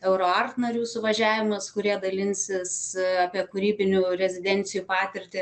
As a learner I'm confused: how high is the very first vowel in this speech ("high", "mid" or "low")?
mid